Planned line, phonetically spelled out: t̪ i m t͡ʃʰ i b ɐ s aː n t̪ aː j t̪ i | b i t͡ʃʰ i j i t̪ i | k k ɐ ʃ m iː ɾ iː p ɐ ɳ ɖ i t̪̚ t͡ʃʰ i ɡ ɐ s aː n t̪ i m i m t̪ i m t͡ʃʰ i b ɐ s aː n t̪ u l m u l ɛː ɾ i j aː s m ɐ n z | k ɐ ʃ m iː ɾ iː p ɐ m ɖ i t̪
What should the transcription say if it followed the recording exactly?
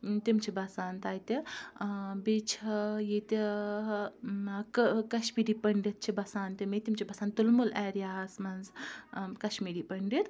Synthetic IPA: t̪ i m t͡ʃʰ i b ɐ s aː n t̪ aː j t̪ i | b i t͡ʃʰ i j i t̪ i | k k ɐ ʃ m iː ɾ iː p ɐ ɳ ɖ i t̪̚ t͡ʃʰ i b ɐ s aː n t̪ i m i t̪ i m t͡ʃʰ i b ɐ s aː n t̪ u l m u l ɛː ɾ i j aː s m ɐ n z | k ɐ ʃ m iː ɾ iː p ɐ ɳ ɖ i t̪

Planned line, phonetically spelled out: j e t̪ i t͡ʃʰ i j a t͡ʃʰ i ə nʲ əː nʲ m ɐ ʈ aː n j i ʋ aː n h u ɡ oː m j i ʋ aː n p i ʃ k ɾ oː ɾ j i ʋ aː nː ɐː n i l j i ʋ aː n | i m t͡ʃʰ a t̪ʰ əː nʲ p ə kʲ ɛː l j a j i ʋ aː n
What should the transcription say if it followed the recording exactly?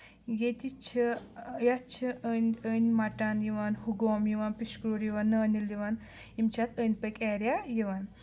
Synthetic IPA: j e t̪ i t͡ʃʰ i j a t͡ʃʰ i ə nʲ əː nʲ m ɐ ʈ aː n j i ʋ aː n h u ɡ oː m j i ʋ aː n p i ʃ k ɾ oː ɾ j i ʋ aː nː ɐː n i l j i ʋ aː n | i m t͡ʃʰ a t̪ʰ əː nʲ p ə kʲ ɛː ɾ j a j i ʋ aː n

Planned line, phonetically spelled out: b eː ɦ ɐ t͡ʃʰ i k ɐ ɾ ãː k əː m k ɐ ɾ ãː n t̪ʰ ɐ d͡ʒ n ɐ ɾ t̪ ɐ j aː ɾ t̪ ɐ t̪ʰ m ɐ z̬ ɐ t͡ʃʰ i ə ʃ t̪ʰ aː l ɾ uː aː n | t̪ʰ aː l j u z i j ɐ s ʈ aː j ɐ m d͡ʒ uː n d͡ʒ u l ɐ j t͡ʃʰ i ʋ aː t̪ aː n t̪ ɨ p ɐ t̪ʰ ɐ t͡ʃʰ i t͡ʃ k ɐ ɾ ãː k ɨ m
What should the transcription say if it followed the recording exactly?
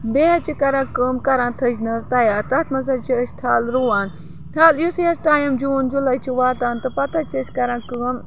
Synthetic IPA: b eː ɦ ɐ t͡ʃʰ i k ɐ ɾ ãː k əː m k ɐ ɾ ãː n t̪ʰ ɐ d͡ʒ n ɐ ɾ t̪ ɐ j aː ɾ t̪ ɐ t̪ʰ m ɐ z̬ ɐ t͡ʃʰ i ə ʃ t̪ʰ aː l ɾ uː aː n | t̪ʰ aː l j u s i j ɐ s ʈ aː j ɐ m d͡ʒ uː n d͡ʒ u l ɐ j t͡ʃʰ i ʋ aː t̪ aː n t̪ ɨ p ɐ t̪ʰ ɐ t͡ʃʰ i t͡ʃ k ɐ ɾ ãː k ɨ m

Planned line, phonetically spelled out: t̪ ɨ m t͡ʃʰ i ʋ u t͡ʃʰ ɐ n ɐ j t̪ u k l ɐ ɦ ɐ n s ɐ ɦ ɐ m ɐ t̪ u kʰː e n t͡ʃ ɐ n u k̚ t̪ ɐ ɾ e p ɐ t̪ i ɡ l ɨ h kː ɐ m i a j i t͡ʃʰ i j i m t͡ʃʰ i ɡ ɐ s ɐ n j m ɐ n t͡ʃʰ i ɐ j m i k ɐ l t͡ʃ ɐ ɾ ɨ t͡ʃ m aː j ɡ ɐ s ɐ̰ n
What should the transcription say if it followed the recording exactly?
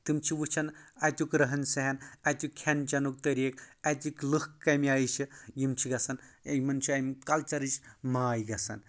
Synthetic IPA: t̪ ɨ m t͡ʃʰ i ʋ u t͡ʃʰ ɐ n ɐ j t̪ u k ɾ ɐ ɦ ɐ n s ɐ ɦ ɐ n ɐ t̪ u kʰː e n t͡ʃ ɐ n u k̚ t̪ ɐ ɾ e k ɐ t̪ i k l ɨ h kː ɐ m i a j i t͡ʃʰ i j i m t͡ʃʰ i ɡ ɐ s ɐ n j m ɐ n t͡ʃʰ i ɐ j m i k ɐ l t͡ʃ ɐ ɾ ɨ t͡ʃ m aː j ɡ ɐ s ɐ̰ n

